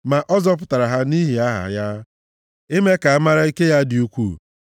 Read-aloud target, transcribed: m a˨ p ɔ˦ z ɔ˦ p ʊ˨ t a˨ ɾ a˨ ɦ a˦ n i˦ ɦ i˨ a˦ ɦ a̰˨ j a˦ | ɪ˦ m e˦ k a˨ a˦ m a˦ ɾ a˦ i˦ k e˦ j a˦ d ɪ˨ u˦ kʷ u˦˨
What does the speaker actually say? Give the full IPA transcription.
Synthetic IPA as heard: m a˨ ʔ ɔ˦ z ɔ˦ p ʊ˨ t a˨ ɾ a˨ ɦ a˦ n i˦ ɦ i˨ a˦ ɦ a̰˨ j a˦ | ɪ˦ m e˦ k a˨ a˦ m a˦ ɾ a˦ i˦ k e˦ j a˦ d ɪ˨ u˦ kʷ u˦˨